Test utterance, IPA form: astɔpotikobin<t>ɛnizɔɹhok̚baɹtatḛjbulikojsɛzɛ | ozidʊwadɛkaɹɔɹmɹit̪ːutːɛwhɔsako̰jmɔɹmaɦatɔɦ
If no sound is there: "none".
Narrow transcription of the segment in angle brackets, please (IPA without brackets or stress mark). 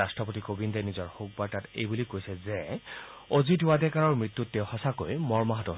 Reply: d